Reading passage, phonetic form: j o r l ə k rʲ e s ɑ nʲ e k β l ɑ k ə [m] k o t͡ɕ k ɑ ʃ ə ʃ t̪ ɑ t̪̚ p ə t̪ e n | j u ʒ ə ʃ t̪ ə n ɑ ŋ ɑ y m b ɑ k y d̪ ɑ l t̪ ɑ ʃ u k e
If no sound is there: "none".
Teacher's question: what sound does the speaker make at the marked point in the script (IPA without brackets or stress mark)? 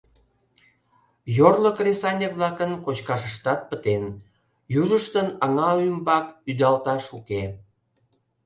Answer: n